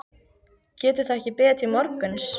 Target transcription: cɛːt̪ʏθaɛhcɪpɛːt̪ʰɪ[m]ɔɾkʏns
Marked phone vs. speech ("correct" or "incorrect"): correct